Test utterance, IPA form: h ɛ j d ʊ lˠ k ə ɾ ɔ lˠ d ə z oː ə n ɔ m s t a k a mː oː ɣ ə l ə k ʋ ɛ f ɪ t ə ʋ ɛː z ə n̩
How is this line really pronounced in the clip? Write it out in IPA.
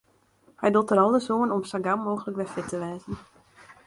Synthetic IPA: h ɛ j d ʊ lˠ t ə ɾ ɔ lˠ d ə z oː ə n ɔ m s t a ɡ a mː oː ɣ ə l ə k ʋ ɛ f ɪ t ə ʋ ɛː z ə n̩